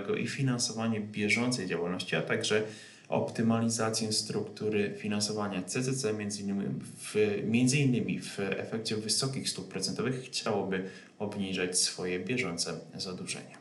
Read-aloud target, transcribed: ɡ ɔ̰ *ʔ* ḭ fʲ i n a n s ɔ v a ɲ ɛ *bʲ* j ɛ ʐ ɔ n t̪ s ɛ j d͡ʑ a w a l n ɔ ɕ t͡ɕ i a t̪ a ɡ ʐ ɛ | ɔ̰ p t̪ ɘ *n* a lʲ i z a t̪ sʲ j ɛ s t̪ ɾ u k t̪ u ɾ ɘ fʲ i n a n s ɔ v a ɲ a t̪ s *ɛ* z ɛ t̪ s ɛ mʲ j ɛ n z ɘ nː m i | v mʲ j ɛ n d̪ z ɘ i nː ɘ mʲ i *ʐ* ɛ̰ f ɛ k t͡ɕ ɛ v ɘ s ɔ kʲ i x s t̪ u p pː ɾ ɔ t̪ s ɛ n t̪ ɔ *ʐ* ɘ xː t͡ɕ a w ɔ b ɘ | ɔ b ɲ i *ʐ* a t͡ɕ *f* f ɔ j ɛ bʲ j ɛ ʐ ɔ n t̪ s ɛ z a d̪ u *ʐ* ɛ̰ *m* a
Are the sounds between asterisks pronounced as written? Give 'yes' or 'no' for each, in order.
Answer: yes, yes, no, yes, no, no, yes, no, yes, no

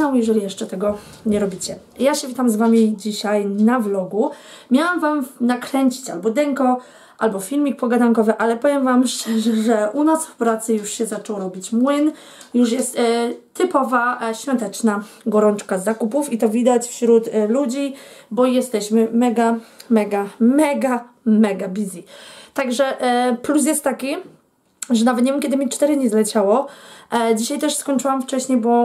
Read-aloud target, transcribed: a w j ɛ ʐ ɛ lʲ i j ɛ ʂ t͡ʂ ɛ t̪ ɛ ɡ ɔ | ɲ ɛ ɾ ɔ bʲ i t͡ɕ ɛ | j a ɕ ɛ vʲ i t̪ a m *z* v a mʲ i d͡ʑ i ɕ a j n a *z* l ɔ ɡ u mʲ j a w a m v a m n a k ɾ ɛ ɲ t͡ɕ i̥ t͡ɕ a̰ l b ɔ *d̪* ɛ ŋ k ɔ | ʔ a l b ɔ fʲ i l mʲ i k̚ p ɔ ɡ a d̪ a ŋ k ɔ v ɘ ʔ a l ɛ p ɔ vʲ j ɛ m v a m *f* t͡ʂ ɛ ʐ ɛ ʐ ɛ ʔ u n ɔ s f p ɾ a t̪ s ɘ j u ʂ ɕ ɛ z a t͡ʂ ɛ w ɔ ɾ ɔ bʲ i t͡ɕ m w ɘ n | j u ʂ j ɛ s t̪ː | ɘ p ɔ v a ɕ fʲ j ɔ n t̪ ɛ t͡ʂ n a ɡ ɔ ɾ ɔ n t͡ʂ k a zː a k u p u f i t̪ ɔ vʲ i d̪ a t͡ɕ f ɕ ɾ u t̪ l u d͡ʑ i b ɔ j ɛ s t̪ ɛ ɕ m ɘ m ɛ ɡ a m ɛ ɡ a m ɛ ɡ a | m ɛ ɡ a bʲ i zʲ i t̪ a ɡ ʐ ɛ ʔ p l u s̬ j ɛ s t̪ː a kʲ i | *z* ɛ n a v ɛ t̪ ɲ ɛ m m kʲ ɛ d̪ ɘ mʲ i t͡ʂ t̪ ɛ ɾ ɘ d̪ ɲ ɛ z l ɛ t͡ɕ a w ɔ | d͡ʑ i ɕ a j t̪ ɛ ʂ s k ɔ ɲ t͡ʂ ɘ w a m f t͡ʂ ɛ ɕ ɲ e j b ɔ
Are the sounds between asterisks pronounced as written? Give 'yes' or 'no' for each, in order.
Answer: yes, no, yes, no, no

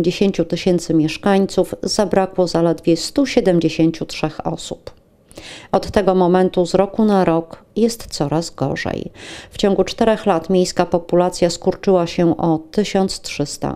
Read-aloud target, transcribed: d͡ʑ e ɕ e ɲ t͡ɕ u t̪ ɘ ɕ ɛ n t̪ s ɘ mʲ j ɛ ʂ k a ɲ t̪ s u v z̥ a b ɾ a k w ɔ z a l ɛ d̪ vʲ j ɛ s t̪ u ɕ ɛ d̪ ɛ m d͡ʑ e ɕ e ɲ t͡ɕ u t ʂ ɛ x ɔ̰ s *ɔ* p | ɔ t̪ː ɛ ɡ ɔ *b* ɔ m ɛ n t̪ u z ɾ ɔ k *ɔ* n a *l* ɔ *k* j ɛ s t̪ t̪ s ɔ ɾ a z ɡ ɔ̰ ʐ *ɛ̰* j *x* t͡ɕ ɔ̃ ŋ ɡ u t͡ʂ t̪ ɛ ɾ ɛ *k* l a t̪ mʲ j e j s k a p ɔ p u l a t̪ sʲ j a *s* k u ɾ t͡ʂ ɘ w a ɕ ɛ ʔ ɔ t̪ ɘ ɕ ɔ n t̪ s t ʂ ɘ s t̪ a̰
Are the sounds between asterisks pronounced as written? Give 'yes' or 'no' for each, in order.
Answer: no, no, no, no, yes, yes, no, no, yes

